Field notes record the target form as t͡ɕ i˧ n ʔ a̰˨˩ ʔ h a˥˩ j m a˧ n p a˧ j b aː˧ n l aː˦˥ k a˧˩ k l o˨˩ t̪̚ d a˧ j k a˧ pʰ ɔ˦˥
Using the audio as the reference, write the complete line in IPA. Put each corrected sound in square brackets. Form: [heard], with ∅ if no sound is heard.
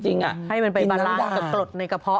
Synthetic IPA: t͡ɕ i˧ [ŋ] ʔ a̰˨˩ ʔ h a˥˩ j m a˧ n p a˧ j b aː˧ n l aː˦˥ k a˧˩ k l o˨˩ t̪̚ [n] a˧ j k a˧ pʰ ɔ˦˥